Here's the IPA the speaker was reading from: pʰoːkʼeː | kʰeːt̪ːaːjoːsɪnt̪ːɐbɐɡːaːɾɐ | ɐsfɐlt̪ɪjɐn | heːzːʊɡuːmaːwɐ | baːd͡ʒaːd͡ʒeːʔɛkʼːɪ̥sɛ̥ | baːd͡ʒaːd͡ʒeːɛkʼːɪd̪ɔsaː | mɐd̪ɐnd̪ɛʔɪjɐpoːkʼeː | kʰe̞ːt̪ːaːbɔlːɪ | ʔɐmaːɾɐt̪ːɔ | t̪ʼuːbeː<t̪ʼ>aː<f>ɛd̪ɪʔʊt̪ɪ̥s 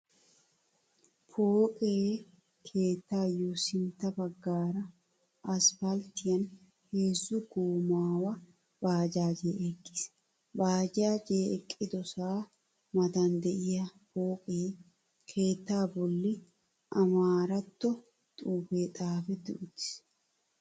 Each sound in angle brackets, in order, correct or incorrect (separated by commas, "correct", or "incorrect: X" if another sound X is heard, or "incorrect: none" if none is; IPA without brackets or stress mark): correct, correct